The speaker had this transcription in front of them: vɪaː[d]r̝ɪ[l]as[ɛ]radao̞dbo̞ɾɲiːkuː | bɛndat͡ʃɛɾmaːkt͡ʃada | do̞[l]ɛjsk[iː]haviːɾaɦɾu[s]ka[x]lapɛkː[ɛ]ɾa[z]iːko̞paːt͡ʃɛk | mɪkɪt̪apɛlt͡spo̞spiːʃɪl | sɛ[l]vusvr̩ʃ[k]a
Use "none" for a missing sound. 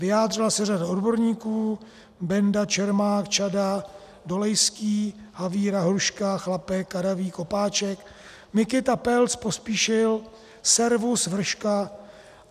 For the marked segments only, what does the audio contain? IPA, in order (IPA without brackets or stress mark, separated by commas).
d, l, ɛ, l, iː, ʃ, x, a, v, ɾ, k